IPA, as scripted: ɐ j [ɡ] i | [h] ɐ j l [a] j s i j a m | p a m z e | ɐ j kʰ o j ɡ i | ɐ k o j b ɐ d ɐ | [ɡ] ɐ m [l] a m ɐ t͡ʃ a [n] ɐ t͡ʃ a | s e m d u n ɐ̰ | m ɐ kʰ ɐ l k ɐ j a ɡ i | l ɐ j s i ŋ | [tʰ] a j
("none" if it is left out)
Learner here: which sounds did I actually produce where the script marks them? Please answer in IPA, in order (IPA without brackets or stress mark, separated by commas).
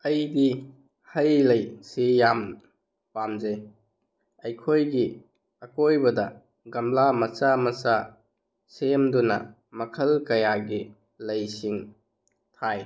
d, h, ɐ, ɡ, l, m, tʰ